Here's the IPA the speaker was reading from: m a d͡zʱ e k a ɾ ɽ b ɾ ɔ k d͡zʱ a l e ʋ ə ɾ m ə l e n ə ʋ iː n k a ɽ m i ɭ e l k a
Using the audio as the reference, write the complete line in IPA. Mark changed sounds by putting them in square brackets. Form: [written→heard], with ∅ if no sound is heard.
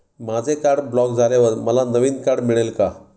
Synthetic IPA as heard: m a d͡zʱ e k a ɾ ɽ b [ɾ→l] ɔ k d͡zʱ a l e ʋ ə ɾ m ə l [e→a] n ə ʋ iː n k a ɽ m i ɭ e l k a